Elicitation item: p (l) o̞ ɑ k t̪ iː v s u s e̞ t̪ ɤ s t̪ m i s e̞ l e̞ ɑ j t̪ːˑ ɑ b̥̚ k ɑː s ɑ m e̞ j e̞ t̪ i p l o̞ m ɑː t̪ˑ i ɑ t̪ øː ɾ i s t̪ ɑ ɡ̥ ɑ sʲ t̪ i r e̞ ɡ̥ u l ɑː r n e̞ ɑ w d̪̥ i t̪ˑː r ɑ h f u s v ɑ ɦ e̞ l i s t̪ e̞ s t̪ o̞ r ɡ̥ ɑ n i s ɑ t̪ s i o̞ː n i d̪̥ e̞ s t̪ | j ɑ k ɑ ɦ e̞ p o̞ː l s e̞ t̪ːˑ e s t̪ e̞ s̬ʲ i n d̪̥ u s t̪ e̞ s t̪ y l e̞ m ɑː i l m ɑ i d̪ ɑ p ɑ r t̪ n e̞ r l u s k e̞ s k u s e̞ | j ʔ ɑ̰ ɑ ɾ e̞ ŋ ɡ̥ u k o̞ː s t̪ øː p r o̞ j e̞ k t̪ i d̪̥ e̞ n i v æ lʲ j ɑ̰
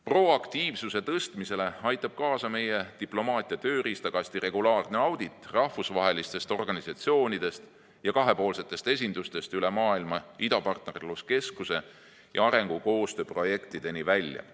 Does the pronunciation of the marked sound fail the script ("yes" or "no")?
yes